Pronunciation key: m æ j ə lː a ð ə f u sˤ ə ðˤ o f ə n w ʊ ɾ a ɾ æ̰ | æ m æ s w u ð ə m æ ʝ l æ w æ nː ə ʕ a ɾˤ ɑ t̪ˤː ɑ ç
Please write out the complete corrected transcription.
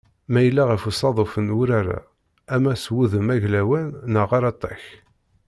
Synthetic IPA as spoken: m æ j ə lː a ʁ ə f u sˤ ɑ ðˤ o f ə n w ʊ ɾ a ɾ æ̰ | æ m æ s w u ð ə m æ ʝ l æ w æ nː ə ʁ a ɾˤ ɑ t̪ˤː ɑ ç